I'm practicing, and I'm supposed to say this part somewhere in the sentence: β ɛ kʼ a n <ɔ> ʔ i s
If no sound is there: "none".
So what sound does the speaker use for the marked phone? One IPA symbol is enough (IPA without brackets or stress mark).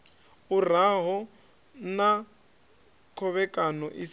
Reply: ɔ